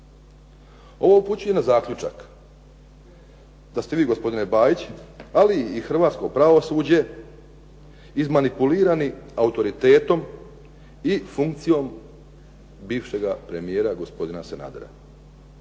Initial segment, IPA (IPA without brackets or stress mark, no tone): o̞